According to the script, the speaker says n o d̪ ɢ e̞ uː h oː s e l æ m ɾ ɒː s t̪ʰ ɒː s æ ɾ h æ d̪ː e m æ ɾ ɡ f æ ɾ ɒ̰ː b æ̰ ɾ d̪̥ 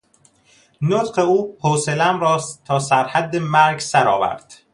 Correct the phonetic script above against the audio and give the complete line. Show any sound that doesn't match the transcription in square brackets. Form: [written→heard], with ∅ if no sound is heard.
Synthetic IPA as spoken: n o [d̪→t̪] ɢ e̞ uː h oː s e l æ m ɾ ɒː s t̪ʰ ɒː s æ ɾ h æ d̪ː e m æ ɾ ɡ [f→s] æ ɾ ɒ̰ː [b→v] æ̰ ɾ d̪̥

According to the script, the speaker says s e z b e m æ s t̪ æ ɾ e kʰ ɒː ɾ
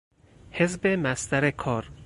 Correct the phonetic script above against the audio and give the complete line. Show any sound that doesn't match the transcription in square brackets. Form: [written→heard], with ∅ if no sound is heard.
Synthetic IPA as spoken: [s→h] e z b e m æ s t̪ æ ɾ e kʰ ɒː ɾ

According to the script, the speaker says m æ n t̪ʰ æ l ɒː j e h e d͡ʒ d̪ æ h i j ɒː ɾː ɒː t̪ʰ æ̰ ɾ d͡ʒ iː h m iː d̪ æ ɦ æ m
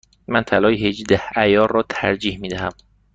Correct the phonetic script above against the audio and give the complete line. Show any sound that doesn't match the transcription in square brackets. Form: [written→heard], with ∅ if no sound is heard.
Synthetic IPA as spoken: m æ n t̪ʰ æ l ɒː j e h e d͡ʒ d̪ æ h [i→æ] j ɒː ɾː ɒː t̪ʰ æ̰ ɾ d͡ʒ iː h m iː d̪ æ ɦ æ m

